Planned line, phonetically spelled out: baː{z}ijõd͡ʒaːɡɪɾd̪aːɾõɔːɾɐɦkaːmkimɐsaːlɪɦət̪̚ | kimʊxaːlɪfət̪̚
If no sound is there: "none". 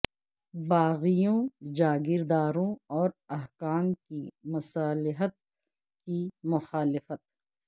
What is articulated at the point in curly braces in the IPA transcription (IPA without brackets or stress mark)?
ɣ